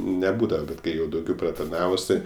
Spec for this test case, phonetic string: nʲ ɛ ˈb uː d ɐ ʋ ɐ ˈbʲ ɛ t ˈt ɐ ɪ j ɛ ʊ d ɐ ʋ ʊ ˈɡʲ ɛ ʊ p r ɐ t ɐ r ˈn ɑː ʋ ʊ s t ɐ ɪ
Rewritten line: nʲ ɛ ˈb uː d ɐ ʋ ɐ ˈbʲ ɛ t ˈk ɐ ɪ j ɛ ʊ d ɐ ʊ ˈɡʲ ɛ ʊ p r ɐ t ɐ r ˈn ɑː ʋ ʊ s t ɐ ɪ